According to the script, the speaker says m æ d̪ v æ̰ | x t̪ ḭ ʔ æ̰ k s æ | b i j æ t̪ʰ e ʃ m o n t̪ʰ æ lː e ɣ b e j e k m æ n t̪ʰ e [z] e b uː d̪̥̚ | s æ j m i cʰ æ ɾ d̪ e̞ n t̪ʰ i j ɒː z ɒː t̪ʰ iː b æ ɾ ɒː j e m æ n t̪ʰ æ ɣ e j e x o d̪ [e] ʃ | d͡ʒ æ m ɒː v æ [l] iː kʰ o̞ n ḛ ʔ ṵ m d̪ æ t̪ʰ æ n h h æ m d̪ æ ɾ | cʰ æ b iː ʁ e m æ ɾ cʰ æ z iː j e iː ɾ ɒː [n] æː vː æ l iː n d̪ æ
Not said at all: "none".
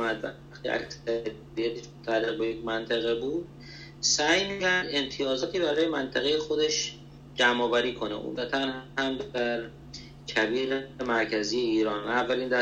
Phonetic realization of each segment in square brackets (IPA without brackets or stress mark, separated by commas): ɣ, e, ɾ, n